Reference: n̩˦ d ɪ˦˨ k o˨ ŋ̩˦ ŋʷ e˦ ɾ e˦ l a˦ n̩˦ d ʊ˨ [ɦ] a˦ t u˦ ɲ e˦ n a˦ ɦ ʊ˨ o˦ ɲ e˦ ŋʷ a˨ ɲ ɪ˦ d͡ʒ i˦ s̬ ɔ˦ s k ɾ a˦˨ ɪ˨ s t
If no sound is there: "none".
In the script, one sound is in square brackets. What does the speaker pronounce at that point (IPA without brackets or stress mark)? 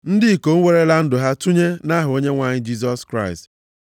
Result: ɦ